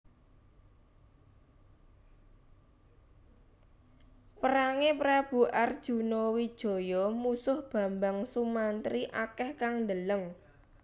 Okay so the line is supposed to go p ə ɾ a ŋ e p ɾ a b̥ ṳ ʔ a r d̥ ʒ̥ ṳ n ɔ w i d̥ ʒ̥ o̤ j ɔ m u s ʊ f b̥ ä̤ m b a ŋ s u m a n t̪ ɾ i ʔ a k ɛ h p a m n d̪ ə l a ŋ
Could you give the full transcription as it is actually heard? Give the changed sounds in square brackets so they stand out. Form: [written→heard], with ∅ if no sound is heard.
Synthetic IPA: p ə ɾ a ŋ e p ɾ a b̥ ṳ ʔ a r d̥ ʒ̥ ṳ n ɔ w i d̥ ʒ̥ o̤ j ɔ m u s ʊ [f→h] b̥ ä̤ m b a ŋ s u m a n t̪ ɾ i ʔ a k ɛ h [p→k] a [m→ŋ] n d̪ ə l [a→ə] ŋ